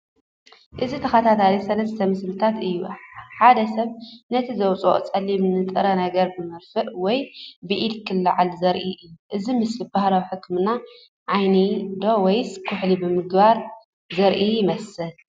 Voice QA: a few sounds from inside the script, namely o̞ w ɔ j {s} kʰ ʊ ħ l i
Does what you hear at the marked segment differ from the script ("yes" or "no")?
no